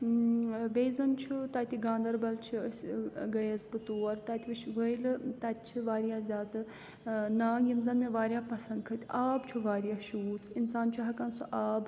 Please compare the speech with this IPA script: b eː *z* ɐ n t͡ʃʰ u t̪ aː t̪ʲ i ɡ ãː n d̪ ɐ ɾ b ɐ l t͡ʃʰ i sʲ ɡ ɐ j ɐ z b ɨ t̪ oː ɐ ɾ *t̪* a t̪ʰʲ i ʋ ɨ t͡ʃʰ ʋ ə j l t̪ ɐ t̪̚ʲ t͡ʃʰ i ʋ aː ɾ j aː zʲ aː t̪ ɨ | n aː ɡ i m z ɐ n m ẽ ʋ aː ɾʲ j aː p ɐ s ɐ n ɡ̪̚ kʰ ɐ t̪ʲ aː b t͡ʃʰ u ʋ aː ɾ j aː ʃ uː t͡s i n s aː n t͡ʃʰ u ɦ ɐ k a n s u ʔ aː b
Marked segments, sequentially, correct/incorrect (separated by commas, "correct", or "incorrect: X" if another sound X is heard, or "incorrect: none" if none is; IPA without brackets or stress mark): correct, correct